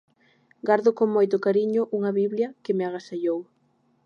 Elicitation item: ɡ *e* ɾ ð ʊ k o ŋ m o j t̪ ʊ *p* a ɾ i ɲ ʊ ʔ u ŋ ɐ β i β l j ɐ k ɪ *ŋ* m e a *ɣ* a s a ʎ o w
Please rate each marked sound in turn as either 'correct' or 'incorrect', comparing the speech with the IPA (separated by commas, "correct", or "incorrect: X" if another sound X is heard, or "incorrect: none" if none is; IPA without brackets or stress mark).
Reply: incorrect: a, incorrect: k, incorrect: none, correct